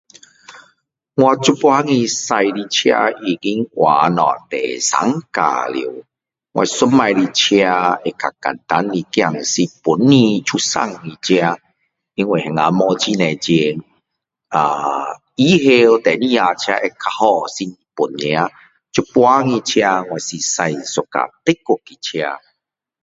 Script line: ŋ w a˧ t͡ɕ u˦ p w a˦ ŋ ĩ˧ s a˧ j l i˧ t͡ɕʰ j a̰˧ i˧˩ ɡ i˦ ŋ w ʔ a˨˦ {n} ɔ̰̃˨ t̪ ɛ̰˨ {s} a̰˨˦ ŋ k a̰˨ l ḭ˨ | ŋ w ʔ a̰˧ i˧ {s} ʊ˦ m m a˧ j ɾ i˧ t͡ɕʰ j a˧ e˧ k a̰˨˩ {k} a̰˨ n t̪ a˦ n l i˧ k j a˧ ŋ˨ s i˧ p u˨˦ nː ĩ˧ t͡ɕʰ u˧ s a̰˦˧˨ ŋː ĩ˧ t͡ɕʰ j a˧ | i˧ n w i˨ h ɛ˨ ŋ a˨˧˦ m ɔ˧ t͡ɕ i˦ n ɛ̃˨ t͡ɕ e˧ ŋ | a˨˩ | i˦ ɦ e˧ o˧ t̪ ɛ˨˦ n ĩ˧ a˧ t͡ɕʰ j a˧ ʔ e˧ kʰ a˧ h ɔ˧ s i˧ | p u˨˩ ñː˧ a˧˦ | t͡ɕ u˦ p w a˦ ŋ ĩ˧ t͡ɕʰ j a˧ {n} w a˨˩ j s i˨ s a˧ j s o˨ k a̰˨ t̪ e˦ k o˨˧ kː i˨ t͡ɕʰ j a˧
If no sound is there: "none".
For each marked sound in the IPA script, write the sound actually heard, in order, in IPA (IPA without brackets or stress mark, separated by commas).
n, s, s, k, ŋ